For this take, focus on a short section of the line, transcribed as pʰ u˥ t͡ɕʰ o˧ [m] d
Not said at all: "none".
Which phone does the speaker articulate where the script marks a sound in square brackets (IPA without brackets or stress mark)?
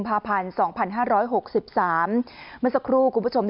m